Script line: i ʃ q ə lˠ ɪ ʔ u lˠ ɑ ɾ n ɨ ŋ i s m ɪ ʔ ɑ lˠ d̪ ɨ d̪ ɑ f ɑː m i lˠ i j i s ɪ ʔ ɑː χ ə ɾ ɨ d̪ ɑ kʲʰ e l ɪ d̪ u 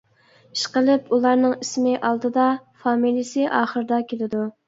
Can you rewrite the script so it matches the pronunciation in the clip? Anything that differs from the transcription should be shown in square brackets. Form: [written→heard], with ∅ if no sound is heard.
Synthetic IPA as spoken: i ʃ q ə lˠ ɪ [ʔ→p] u lˠ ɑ ɾ n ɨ ŋ i s m ɪ ʔ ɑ lˠ d̪ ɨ d̪ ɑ f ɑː m i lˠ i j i s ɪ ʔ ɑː χ ə ɾ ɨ d̪ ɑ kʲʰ e l ɪ d̪ u